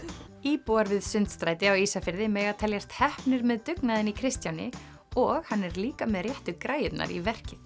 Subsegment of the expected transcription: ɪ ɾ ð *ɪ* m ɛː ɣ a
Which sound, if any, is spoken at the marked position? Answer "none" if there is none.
ɪ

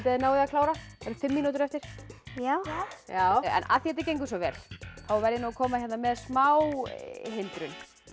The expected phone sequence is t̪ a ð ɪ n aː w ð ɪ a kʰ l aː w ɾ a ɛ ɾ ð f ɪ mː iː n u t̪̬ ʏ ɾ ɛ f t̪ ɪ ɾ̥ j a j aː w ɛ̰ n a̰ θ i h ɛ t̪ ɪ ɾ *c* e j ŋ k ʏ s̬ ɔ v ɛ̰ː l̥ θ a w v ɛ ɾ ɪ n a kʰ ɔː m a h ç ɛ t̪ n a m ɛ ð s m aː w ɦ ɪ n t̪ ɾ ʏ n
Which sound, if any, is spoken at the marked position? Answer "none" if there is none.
c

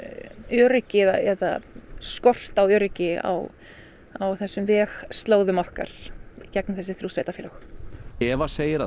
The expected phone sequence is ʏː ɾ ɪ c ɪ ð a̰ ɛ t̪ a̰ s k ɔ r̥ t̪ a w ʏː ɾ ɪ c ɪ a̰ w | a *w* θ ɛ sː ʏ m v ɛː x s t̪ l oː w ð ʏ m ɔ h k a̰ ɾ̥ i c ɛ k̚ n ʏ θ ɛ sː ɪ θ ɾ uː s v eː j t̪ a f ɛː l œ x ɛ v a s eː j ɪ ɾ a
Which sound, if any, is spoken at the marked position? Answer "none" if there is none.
w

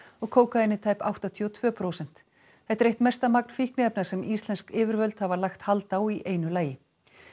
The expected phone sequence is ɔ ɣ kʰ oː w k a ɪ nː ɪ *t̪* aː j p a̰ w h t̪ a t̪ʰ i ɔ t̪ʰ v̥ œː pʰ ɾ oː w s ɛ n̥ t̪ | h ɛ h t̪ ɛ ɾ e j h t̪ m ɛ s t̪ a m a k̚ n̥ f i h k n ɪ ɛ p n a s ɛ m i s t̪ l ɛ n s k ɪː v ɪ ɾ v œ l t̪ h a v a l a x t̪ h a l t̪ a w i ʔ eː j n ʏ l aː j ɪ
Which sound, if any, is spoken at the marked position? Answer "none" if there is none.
t̪ʰ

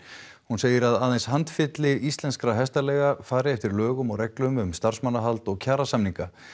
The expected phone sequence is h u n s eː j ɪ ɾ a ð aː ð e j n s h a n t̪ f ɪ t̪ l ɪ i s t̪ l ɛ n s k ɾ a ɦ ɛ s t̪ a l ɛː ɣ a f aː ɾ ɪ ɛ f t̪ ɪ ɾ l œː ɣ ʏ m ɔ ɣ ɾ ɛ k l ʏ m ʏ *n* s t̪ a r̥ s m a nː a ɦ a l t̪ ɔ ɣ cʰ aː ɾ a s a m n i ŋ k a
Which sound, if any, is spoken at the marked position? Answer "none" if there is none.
m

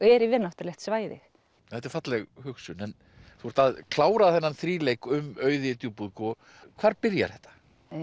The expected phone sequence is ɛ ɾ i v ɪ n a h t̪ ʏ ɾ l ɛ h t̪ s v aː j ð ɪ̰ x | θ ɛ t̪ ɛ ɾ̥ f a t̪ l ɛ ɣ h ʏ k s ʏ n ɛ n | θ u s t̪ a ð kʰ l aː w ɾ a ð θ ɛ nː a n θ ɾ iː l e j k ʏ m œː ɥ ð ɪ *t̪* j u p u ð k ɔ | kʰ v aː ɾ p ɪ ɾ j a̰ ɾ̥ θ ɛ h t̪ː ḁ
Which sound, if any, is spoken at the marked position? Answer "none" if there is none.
t̪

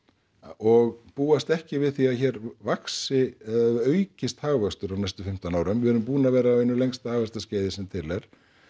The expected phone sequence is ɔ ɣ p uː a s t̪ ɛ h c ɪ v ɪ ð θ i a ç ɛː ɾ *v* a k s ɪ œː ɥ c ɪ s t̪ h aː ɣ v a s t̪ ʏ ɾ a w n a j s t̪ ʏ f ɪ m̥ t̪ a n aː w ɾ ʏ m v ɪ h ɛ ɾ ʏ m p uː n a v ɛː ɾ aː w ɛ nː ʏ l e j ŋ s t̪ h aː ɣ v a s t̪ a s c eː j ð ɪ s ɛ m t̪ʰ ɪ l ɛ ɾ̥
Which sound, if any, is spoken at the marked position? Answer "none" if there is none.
v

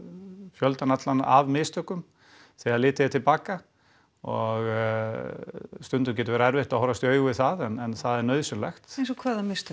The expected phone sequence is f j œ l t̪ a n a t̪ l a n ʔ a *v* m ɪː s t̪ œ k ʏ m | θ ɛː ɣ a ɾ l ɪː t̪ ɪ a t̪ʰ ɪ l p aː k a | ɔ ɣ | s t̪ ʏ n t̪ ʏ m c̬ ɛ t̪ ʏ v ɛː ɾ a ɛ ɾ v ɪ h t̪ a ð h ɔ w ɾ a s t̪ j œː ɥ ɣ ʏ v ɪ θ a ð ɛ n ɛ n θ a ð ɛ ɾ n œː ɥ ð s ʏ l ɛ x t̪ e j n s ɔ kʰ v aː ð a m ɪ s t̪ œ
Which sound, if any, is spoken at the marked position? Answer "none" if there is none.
v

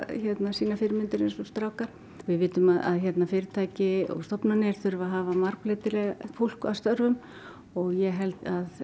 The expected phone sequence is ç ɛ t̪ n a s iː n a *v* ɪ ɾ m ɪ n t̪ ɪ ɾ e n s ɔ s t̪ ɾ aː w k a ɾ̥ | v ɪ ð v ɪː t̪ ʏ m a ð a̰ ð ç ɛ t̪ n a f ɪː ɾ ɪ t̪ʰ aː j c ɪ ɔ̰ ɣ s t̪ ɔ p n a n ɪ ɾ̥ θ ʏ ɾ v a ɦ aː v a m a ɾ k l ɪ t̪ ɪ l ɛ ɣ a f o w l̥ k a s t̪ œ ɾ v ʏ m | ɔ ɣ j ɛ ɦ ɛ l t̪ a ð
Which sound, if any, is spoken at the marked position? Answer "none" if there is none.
f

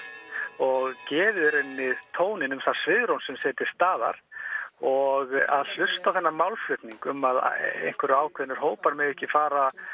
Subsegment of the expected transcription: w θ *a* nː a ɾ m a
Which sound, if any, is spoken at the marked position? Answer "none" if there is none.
ɛ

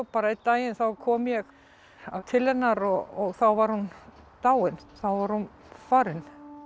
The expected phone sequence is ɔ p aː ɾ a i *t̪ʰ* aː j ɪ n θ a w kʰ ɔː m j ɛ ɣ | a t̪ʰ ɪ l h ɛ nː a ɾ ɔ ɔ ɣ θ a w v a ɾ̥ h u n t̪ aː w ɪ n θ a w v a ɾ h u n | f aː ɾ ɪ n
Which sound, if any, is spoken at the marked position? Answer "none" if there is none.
t̪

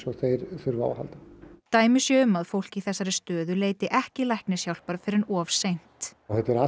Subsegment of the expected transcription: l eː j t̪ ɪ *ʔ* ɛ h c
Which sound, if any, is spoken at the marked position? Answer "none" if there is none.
ʔ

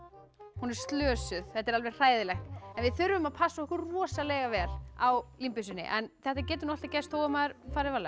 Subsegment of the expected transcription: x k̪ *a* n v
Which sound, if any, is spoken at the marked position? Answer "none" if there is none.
ɛ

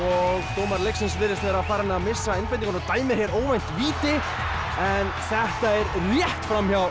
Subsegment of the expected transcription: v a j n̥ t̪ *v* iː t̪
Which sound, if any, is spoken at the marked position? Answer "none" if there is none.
v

